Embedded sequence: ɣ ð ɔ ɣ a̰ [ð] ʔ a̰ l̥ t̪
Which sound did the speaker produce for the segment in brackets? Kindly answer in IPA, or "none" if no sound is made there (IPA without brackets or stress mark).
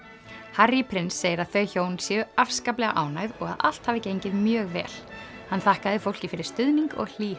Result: ð